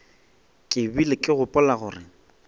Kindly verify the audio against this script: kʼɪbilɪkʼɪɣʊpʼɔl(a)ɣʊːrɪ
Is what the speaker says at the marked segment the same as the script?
yes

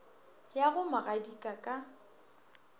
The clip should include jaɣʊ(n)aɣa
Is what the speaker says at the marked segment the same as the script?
no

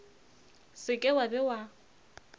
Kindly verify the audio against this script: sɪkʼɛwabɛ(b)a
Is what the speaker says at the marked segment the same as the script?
no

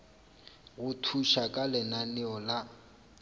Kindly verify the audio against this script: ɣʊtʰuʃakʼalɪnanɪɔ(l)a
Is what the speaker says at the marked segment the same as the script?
yes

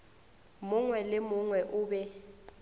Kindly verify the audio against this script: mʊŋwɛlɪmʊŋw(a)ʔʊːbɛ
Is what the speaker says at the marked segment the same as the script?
no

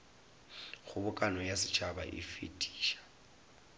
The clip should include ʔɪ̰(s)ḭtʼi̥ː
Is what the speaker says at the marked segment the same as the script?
no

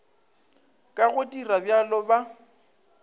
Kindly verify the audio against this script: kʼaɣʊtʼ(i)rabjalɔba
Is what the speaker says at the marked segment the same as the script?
yes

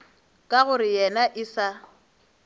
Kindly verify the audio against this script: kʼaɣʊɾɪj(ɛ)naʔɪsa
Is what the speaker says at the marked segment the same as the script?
yes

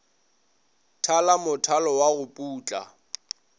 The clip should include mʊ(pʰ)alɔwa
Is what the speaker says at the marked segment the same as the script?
no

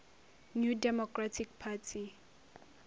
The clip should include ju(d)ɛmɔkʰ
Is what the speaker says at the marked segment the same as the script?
yes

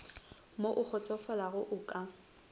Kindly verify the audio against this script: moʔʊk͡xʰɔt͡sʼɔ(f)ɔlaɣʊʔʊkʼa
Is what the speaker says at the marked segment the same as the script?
yes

